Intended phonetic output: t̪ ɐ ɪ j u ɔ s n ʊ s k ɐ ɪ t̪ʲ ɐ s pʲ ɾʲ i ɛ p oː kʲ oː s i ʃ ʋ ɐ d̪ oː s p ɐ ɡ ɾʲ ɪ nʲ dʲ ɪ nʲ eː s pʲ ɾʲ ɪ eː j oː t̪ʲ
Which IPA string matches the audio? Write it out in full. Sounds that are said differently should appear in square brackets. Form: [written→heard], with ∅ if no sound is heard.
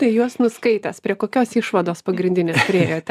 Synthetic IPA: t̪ ɐ ɪ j u ɔ s n ʊ s k ɐ ɪ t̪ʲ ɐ s pʲ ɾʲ i ɛ [p→k] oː kʲ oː s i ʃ ʋ ɐ d̪ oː s p ɐ ɡ ɾʲ ɪ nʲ dʲ ɪ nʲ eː s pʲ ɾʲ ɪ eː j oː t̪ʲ